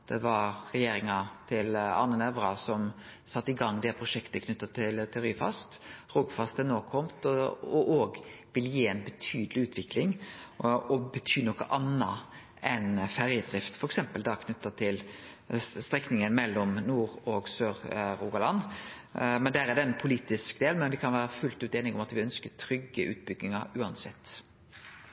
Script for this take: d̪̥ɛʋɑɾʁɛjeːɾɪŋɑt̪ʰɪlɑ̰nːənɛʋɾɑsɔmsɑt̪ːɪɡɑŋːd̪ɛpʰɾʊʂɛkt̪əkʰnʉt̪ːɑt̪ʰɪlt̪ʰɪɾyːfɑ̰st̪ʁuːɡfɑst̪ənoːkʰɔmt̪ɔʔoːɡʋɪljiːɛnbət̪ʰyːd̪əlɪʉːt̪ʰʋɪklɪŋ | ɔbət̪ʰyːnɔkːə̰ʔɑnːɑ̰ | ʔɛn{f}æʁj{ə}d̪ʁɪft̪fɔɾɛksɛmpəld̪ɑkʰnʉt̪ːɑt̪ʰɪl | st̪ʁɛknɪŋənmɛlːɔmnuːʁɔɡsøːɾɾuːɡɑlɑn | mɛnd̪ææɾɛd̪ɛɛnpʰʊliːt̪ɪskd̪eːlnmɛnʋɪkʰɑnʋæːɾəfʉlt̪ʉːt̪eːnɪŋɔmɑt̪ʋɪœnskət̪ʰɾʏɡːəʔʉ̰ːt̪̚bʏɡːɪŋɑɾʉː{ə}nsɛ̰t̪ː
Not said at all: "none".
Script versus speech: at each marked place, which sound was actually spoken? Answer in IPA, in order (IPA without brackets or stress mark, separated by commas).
f, ə, ɑ